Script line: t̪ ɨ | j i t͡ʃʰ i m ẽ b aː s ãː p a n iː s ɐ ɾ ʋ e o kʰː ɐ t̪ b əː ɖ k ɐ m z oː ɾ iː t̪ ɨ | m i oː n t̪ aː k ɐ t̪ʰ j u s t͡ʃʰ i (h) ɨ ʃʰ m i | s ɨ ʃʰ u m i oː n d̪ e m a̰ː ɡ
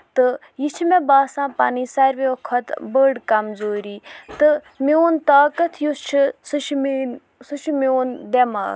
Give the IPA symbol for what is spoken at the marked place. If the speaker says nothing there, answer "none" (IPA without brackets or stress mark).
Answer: s